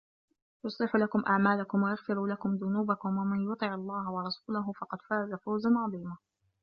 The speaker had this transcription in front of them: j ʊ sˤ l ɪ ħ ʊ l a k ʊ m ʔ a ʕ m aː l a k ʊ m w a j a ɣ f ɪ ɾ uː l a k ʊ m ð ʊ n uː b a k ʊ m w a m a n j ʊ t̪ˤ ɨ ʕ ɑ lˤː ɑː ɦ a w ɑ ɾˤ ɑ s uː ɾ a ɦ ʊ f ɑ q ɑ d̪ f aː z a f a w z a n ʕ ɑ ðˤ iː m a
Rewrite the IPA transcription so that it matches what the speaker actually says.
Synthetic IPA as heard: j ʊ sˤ l ɪ ħ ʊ l a k ʊ m ʔ a ʕ m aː l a k ʊ m w a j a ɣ f ɪ ɾ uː l a k ʊ m ð ʊ n uː b a k ʊ m w a m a n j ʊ t̪ˤ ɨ ʕ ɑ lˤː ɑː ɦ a w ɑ ɾˤ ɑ s uː l a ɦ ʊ f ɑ q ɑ d̪ f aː z a f a w z a n ʕ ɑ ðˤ iː m a